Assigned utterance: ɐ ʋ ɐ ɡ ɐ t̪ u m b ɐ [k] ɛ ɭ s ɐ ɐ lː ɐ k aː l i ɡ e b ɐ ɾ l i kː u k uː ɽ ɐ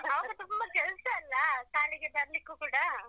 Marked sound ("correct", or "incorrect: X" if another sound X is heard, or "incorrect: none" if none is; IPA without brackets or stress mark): correct